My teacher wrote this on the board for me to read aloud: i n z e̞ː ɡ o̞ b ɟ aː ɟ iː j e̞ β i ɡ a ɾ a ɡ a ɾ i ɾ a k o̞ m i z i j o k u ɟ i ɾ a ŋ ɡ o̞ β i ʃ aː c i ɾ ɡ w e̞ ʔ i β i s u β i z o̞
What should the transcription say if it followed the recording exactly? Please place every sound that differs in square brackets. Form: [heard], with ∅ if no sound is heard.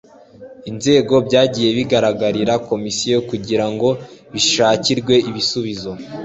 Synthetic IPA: i n z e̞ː ɡ o̞ b ɟ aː ɟ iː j e̞ β i ɡ a ɾ a ɡ a ɾ i ɾ a k o̞ m i [s] i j o k u ɟ i ɾ a ŋ ɡ o̞ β i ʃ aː c i ɾ ɡ w e̞ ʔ i β i s u β i z o̞